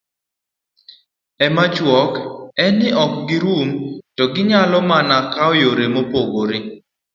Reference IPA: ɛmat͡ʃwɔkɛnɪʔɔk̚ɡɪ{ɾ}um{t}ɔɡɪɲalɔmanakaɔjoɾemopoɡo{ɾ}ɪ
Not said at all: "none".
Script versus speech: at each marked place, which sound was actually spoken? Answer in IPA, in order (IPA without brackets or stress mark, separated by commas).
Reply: ɾ, t, ɾ